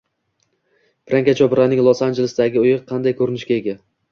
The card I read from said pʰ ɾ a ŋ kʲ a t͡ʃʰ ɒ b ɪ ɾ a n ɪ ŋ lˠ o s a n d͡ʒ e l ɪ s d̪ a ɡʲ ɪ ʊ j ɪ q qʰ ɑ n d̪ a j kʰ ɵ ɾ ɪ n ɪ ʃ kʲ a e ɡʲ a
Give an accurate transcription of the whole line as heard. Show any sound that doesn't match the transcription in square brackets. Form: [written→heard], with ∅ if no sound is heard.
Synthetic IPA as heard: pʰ ɾ a ŋ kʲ a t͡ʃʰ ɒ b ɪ ɾ a n ɪ ŋ lˠ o s a n d͡ʒ e l ɪ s d̪ a ɡʲ ɪ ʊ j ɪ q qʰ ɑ n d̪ a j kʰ ɵ ɾ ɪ n ɪ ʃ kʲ a e ɡʲ a